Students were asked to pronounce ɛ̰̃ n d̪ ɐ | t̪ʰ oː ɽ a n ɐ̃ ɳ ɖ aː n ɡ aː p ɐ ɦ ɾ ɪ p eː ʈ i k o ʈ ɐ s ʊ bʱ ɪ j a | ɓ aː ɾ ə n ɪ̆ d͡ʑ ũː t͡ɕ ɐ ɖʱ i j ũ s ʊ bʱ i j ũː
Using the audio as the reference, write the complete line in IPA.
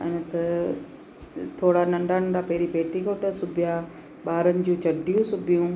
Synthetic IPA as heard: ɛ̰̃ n t̪ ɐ | t̪ʰ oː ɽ a n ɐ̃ ɳ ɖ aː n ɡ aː p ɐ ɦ ɾ i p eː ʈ i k o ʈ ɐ s ʊ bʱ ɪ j a | ɓ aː ɾ ə n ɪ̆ d͡ʑ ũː t͡ɕ ɐ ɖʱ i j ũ s ʊ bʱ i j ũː